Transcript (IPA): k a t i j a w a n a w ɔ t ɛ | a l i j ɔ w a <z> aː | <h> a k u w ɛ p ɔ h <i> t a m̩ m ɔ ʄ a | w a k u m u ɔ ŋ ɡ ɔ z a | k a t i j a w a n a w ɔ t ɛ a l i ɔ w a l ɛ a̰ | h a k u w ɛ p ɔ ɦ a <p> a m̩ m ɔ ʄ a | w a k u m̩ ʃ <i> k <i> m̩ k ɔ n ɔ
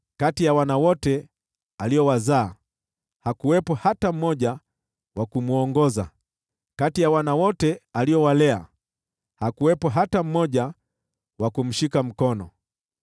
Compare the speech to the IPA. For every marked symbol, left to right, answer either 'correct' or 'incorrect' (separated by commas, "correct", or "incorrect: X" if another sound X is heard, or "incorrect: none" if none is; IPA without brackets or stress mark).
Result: correct, correct, incorrect: a, incorrect: t, correct, incorrect: a